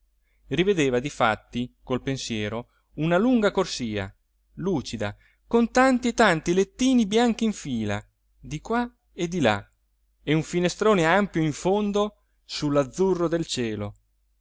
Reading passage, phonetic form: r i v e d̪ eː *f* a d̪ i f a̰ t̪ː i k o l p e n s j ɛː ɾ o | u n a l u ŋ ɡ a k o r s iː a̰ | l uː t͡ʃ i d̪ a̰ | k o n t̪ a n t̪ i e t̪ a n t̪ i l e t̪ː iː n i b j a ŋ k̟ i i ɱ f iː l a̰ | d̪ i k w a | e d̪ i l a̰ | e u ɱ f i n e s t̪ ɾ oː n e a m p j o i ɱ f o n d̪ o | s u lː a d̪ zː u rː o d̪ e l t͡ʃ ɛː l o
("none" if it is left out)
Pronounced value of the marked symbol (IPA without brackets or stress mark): v